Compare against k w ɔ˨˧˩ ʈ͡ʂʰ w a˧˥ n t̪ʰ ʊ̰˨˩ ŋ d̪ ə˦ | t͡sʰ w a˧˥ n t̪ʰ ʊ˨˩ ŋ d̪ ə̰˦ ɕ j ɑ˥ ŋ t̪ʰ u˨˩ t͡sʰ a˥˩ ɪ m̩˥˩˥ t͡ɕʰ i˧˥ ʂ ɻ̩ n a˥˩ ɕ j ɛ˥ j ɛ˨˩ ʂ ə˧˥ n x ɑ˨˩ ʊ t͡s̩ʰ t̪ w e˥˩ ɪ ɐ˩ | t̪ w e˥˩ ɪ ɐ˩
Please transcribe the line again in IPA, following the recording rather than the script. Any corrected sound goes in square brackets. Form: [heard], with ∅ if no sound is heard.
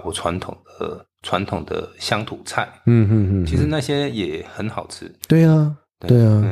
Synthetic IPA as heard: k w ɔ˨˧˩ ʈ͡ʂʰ w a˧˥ n t̪ʰ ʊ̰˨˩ ŋ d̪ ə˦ | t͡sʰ w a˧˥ n t̪ʰ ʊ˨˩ ŋ d̪ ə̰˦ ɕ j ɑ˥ ŋ t̪ʰ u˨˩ t͡sʰ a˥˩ ɪ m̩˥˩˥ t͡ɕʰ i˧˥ ʂ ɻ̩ n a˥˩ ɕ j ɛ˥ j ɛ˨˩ [x] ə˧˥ n x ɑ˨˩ ʊ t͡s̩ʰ t̪ w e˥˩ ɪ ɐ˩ | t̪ w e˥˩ ɪ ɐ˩